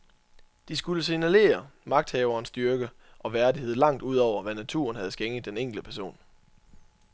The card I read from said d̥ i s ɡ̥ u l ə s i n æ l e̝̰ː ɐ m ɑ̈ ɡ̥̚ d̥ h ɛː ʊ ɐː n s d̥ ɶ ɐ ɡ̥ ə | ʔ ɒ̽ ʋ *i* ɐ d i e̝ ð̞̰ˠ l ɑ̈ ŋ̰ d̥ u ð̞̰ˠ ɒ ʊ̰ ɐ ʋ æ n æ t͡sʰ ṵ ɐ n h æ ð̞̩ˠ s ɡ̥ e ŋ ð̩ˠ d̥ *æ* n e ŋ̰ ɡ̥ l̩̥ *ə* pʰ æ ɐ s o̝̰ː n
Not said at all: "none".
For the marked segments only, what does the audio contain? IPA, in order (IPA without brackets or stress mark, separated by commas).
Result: æ, e, ə